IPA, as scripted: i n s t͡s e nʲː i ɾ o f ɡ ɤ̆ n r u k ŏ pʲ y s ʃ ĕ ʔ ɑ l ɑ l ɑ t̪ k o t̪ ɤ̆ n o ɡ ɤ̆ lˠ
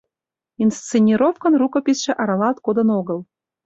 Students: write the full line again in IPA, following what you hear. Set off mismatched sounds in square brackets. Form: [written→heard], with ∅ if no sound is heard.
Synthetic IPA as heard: i n s t͡s e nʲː i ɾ o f [ɡ→k] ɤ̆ n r u k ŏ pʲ [y→i] s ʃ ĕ ʔ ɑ [l→ɾ] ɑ l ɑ t̪ k o [t̪→d̪] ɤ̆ n o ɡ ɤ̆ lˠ